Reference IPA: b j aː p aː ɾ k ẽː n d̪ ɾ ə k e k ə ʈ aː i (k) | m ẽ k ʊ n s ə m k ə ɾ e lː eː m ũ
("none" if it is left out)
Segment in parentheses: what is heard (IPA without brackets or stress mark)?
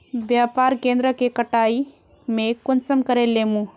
none